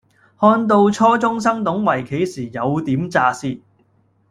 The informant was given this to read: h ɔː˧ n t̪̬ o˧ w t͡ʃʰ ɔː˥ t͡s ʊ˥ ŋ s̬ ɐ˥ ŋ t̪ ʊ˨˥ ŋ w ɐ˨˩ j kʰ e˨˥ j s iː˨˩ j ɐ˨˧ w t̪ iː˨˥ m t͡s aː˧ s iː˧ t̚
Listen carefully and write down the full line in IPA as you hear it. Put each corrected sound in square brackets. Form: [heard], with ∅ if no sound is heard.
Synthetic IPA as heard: h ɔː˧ n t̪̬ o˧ w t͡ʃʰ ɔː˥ t͡s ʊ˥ ŋ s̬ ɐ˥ ŋ t̪ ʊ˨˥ ŋ w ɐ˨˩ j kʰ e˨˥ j s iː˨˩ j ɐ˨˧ w t̪ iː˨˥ m t͡s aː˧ s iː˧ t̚